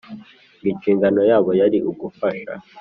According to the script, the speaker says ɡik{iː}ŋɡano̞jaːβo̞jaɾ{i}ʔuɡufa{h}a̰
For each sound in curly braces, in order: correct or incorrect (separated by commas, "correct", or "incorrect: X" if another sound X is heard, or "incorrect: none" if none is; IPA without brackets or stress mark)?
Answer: correct, correct, incorrect: ʃ